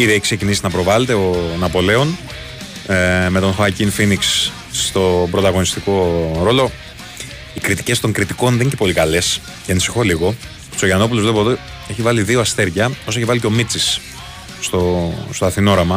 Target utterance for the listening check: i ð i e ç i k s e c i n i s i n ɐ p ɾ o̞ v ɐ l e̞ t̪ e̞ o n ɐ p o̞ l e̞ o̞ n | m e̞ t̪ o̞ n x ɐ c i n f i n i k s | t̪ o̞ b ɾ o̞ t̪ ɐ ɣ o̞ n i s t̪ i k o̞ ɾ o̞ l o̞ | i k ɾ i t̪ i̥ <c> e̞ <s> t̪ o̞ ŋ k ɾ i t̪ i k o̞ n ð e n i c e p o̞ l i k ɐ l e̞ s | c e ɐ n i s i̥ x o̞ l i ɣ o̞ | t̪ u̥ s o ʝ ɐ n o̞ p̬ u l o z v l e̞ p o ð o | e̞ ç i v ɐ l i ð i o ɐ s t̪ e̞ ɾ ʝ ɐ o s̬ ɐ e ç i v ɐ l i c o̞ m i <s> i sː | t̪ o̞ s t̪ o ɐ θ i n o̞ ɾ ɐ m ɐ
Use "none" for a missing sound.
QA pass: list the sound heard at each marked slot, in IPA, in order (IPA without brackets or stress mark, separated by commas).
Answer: c, s, t͡s